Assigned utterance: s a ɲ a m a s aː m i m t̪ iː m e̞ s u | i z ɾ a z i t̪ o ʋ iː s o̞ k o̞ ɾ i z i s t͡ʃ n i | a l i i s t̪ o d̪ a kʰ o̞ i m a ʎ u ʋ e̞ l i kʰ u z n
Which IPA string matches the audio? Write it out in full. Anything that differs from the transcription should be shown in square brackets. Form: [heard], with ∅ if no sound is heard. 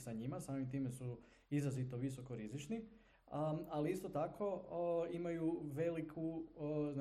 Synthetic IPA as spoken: s a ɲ [i] m a s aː m i m t̪ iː m e̞ s u | i z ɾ a z i t̪ o ʋ [i] s o̞ k o̞ ɾ i z i [∅] t͡ʃ n i | a l i i s t̪ o [t̪] a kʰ o̞ i m a [j] u ʋ e̞ l i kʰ u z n